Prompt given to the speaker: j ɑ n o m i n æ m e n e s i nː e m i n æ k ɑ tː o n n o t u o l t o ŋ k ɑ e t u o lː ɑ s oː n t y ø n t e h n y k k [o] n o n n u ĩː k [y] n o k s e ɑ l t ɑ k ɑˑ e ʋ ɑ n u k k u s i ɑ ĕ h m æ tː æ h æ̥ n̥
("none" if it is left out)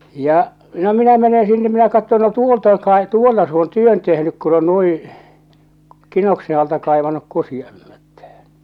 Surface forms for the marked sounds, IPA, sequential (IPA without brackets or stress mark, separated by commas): u, i